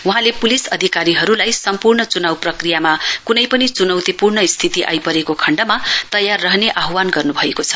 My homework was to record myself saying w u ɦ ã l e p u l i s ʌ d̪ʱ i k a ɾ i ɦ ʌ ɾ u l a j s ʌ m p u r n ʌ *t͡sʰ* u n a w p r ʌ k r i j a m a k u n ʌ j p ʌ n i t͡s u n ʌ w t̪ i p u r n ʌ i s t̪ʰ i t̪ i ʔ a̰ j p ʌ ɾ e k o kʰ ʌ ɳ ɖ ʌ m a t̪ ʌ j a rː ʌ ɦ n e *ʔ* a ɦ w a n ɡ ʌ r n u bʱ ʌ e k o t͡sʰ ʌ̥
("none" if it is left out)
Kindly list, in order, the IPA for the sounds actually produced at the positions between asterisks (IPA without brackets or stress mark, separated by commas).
t͡s, ʔ